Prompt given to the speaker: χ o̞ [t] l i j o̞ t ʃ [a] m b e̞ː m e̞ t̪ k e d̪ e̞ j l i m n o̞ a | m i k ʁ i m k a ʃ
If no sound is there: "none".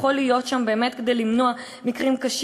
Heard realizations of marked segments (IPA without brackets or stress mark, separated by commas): none, a